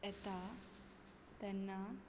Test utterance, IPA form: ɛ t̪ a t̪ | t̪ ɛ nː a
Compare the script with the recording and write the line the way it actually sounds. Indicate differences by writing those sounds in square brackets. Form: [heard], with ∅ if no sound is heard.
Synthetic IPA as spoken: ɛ t̪ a [∅] | t̪ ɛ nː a